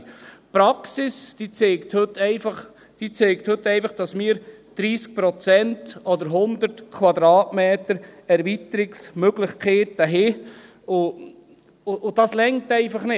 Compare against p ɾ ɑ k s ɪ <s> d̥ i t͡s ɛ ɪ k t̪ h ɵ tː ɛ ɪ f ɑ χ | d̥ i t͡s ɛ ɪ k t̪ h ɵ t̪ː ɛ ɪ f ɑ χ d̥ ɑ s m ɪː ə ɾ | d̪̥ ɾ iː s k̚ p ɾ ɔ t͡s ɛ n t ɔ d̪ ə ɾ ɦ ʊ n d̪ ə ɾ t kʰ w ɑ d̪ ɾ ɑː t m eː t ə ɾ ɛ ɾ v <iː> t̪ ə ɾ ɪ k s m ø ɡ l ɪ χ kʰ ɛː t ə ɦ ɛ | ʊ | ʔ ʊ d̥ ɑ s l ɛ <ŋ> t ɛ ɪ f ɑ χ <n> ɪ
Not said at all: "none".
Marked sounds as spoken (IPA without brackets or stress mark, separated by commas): s, i, ŋ, n